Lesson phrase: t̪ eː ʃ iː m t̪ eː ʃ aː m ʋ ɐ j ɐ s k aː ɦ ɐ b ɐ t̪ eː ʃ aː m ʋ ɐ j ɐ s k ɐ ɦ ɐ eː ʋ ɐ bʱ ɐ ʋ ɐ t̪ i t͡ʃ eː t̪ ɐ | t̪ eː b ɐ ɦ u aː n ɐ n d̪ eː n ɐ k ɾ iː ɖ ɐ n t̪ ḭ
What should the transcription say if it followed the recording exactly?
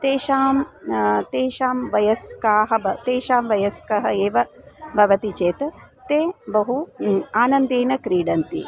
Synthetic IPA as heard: t̪ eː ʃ aː m t̪ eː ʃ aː m ʋ ɐ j ɐ s k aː ɦ ɐ b ɐ t̪ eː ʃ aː m ʋ ɐ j ɐ s k ɐ ɦ ɐ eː ʋ ɐ bʱ ɐ ʋ ɐ t̪ i t͡ʃ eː t̪ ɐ | t̪ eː b ɐ ɦ u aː n ɐ n d̪ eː n ɐ k ɾ iː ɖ ɐ n t̪ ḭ